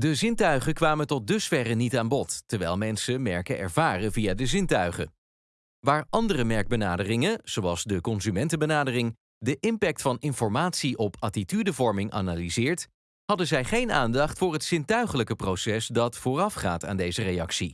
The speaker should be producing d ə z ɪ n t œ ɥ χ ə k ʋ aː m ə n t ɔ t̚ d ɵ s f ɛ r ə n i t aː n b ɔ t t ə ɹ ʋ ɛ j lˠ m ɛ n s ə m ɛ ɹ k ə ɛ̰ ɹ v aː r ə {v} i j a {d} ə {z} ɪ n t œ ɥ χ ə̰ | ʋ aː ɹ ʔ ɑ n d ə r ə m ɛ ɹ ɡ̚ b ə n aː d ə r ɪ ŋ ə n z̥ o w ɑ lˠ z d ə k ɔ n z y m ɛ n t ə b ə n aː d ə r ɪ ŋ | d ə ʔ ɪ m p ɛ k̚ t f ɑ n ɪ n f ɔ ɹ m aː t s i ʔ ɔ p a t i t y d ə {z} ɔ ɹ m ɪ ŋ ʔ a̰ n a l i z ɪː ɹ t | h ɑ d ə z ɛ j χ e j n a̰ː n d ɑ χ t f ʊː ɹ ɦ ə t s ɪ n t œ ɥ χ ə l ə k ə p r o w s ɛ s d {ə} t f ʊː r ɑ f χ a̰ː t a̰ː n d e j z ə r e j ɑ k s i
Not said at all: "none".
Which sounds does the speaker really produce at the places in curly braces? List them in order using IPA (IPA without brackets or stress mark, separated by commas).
v, d, z, v, ɑ